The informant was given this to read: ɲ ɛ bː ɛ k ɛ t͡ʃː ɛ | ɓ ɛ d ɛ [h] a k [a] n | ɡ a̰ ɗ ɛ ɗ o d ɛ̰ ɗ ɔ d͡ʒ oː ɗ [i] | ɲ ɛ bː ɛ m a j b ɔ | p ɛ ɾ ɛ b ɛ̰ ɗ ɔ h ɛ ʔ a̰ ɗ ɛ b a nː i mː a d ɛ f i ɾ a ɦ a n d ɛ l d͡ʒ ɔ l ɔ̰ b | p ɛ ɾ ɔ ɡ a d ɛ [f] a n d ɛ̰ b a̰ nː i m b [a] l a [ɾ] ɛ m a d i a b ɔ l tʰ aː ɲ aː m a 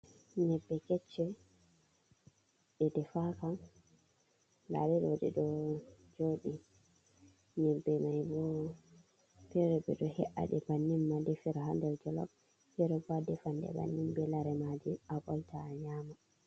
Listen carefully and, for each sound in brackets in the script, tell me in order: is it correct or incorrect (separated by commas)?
incorrect, correct, correct, correct, incorrect, correct